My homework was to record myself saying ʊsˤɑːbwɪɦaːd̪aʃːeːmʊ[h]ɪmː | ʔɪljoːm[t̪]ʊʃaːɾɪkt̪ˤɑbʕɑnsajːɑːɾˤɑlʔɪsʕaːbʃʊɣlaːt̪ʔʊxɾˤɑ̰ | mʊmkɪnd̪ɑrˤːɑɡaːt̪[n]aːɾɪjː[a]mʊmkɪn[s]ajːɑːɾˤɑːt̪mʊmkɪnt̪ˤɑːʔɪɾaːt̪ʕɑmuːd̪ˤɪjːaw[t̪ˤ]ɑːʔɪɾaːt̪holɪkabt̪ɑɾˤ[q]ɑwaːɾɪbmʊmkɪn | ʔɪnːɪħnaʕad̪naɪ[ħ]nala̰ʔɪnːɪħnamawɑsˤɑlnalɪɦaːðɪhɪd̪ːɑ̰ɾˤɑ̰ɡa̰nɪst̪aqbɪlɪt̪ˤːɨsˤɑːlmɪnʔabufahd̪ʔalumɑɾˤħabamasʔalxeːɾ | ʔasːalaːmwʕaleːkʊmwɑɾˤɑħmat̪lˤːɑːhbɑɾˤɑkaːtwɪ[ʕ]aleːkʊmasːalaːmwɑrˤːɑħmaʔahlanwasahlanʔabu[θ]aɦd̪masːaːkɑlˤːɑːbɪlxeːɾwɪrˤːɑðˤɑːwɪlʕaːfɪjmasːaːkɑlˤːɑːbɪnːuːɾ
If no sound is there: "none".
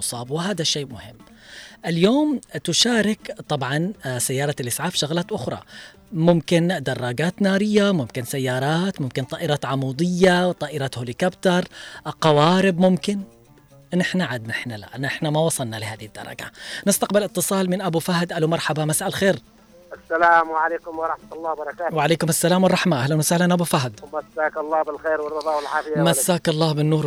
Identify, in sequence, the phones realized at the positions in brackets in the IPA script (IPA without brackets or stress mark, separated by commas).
h, t̪, n, a, s, t̪ˤ, q, ħ, ʕ, f